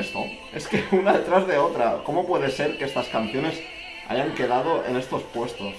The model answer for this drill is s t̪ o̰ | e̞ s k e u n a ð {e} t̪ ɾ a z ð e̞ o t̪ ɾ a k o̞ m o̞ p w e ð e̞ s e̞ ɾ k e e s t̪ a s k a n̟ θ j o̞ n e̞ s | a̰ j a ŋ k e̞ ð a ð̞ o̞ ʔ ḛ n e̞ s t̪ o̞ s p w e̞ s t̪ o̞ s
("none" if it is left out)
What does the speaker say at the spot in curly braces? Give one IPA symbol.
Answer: e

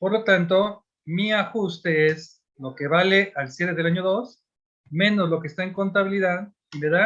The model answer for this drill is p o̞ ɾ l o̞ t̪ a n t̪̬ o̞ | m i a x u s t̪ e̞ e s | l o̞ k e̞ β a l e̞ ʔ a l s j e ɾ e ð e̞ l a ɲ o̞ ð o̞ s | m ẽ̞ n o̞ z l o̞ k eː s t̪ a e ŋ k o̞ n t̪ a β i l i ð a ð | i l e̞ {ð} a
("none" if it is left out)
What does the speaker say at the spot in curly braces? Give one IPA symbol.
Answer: ð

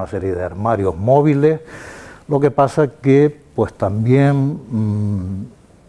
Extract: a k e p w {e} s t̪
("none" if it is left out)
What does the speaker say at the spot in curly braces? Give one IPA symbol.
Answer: e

